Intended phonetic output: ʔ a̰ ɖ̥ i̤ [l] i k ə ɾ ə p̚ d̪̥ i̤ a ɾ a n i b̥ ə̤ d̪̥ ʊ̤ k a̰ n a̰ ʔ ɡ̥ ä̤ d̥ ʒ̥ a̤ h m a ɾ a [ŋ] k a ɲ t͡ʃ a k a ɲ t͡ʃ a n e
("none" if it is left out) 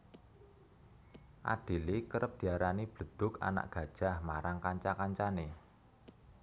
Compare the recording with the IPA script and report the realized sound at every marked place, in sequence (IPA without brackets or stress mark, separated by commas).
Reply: l, ŋ